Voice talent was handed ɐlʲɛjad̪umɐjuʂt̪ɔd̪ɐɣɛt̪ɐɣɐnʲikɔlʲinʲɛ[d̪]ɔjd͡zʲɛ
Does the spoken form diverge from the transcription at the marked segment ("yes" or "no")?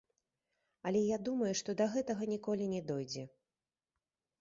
no